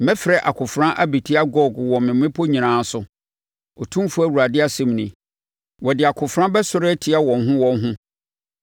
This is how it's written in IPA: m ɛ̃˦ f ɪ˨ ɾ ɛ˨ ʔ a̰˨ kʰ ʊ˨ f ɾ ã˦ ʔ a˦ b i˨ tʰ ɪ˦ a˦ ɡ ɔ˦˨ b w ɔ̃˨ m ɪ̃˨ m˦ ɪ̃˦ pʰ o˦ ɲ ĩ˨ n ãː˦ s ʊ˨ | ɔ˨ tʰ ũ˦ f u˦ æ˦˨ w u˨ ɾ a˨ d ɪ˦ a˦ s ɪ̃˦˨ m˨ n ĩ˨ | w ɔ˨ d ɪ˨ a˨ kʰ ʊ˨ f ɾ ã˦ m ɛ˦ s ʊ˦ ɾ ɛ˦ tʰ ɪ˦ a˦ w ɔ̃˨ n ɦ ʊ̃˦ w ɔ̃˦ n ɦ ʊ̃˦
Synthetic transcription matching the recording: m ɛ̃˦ f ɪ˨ ɾ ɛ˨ ʔ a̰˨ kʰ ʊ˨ f ɾ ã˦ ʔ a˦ b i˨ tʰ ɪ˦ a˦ ɡ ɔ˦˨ ɡ w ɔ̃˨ m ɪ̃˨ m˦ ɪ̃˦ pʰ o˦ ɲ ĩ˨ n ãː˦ s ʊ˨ | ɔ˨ tʰ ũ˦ f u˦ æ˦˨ w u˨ ɾ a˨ d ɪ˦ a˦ s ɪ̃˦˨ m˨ n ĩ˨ | w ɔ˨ d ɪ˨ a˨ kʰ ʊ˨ f ɾ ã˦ b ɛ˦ s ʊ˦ ɾ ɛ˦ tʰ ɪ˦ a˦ w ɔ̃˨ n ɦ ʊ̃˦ w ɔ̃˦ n ɦ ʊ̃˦